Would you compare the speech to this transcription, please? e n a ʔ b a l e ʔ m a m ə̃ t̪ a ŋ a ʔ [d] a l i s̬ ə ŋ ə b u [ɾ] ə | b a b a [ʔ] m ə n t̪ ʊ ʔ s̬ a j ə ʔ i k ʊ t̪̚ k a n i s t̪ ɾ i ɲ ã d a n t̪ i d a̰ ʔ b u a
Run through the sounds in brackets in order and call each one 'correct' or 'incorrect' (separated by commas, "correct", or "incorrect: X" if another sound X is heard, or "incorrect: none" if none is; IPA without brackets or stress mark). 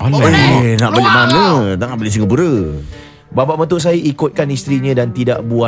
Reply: incorrect: b, correct, correct